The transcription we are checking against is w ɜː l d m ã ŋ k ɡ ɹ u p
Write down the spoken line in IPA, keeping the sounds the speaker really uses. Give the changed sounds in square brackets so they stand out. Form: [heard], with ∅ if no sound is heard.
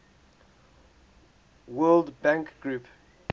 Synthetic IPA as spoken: w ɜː l d [b] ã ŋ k ɡ ɹ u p